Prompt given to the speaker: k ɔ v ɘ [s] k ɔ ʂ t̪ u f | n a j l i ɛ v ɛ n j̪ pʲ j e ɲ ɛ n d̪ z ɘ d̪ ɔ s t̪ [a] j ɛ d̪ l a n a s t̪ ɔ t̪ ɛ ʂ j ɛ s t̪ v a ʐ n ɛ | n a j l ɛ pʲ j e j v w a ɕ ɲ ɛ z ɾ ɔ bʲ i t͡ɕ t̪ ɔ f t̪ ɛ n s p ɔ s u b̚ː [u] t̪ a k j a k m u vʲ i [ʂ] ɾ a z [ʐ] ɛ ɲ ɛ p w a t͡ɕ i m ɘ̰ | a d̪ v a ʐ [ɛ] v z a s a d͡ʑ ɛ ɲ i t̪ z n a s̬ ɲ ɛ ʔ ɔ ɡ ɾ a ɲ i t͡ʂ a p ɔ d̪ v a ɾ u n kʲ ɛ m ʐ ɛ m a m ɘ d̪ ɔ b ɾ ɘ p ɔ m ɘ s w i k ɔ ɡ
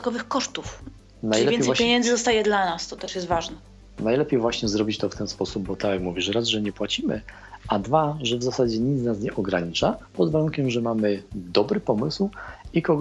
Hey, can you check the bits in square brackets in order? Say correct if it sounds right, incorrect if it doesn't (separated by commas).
incorrect, correct, incorrect, correct, correct, correct